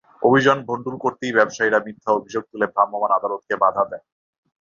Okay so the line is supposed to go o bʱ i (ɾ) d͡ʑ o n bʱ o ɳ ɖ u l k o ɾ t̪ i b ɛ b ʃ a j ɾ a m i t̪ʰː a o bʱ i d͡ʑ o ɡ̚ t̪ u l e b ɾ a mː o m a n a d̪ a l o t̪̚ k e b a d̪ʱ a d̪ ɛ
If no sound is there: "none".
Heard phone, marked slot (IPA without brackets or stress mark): none